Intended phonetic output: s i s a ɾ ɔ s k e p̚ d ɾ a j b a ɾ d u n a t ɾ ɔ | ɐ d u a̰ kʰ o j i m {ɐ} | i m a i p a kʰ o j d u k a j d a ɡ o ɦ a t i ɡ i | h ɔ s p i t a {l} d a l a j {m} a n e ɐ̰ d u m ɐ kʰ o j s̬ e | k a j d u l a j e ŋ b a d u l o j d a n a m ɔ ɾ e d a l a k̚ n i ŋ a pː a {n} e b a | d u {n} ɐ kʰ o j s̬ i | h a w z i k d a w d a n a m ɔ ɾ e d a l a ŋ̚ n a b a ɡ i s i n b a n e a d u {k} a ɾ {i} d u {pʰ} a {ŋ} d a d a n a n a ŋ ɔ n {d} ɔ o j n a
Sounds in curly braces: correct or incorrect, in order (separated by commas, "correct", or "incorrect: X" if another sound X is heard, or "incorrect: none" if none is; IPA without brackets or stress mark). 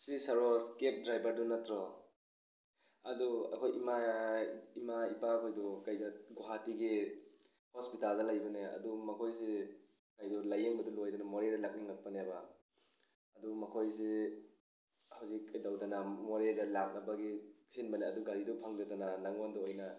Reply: incorrect: a, correct, incorrect: b, correct, incorrect: m, incorrect: ɡ, correct, correct, correct, correct